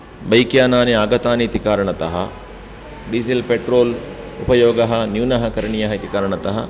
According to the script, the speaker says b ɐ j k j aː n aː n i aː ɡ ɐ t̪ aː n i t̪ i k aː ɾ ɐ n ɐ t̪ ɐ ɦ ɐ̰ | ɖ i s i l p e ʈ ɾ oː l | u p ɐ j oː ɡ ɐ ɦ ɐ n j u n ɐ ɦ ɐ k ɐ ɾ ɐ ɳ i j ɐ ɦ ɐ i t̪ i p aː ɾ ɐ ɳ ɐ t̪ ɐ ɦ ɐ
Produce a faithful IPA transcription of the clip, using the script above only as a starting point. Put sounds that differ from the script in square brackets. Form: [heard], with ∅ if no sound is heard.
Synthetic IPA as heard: b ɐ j k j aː n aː n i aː ɡ ɐ t̪ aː n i t̪ i k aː ɾ ɐ [ɳ] ɐ t̪ ɐ ɦ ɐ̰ | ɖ i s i l p e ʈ ɾ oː l | u p ɐ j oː ɡ ɐ ɦ ɐ n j u n ɐ ɦ ɐ k ɐ ɾ ɐ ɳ i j ɐ ɦ ɐ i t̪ i [k] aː ɾ ɐ ɳ ɐ t̪ ɐ ɦ ɐ